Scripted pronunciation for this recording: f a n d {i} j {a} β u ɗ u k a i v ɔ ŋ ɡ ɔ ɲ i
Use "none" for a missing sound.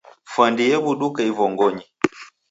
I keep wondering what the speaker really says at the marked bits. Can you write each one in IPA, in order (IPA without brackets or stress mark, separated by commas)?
i, ɛ